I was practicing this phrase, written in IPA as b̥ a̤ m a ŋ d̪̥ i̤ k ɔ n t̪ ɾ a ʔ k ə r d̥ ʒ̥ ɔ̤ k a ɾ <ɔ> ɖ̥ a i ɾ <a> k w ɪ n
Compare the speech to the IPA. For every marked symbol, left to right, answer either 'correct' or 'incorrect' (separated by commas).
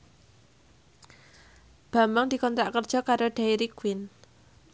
incorrect, incorrect